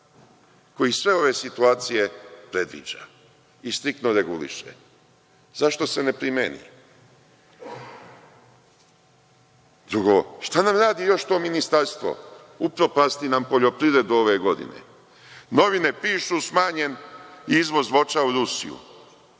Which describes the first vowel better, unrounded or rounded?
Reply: rounded